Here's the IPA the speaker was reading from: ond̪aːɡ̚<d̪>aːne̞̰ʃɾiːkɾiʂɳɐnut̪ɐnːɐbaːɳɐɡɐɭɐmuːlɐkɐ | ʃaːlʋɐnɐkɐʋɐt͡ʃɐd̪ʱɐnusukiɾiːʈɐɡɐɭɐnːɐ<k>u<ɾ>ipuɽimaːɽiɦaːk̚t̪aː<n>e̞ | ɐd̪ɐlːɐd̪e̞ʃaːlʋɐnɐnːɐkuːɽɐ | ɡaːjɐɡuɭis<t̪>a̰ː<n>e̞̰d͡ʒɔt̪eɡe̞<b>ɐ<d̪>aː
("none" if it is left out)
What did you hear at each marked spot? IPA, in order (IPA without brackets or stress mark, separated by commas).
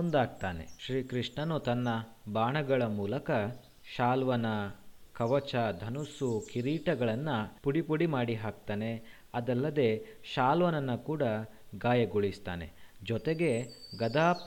t̪, p, ɽ, n, t̪, n, ɡ, d̪